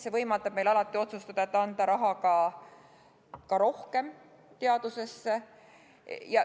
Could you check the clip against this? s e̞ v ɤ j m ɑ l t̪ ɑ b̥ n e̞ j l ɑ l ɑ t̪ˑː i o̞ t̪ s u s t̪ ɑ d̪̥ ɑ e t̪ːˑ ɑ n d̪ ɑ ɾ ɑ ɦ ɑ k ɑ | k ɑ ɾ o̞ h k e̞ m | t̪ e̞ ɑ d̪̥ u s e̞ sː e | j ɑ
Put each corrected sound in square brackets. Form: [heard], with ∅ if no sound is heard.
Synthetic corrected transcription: s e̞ v ɤ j m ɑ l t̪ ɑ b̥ [m] e̞ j l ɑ l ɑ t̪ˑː i o̞ t̪ s u s t̪ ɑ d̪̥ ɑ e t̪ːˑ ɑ n d̪ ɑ ɾ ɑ ɦ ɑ k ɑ | k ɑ ɾ o̞ h k e̞ m | t̪ e̞ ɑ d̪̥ u s e̞ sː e | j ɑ